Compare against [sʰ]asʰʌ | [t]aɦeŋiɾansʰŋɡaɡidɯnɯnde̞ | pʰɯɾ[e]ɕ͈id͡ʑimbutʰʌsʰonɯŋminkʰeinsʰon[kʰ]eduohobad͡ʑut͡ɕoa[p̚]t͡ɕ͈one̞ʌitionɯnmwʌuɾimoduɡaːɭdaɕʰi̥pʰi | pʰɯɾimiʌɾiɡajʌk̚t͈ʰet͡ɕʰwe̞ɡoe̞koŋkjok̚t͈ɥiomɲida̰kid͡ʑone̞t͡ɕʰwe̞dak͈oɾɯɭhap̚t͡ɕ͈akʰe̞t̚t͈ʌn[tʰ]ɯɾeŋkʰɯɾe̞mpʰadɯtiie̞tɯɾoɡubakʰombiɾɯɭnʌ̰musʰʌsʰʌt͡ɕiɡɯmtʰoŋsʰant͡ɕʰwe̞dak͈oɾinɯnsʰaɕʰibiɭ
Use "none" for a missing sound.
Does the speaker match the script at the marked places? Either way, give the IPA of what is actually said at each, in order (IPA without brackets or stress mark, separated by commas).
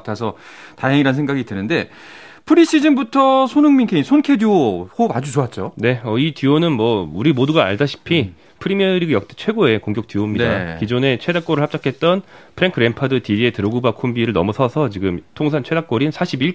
tʰ, t, i, kʰ, t̚, pʰ